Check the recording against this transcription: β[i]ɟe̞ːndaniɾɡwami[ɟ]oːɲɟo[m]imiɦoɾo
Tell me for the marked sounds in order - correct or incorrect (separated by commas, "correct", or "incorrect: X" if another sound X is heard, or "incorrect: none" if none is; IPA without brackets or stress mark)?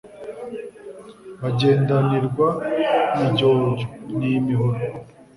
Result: incorrect: a, correct, incorrect: n